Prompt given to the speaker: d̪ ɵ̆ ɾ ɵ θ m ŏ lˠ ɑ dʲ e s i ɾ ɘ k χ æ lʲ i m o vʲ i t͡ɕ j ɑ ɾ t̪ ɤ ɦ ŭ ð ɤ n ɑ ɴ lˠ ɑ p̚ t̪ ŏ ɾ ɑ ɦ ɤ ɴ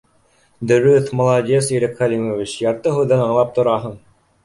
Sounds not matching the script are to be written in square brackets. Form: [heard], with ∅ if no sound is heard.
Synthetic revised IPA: d̪ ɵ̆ ɾ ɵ θ m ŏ lˠ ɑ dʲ e s i ɾ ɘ k χ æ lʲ i m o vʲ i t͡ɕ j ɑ ɾ t̪ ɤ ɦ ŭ ð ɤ n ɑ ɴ lˠ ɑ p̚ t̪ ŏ ɾ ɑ ɦ ɤ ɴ